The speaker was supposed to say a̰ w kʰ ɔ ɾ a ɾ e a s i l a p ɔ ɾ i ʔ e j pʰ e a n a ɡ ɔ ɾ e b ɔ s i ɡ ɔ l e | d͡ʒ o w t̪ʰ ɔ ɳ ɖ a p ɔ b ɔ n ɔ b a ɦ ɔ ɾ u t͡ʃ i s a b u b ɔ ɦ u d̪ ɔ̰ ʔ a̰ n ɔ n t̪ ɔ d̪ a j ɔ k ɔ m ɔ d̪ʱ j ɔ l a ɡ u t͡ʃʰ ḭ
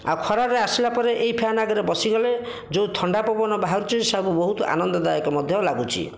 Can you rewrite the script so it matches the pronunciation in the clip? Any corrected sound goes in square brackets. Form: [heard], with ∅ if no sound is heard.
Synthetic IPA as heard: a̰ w kʰ ɔ ɾ a ɾ e a s i l a p ɔ ɾ [e] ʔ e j pʰ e a n a ɡ ɔ ɾ e b ɔ s i ɡ ɔ l e | d͡ʒ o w t̪ʰ ɔ ɳ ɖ a p ɔ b ɔ n ɔ b a ɦ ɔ ɾ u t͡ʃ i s a b u b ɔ ɦ u [t̪] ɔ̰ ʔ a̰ n ɔ n [d̪] ɔ d̪ a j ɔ k ɔ m ɔ d̪ʱ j ɔ l a ɡ u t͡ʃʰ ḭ